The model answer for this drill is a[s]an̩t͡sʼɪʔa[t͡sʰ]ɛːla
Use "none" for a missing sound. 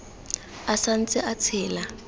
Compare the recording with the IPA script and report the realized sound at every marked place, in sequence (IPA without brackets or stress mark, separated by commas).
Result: s, t͡sʰ